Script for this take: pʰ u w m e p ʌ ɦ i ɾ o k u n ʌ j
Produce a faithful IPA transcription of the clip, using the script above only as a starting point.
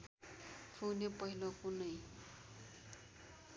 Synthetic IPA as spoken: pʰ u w n e p ʌ ɦ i l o k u n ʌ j